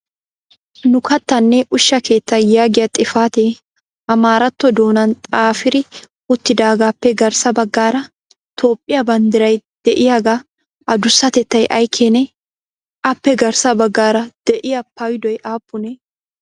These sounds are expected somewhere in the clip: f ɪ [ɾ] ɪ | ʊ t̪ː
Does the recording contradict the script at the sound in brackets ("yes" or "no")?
no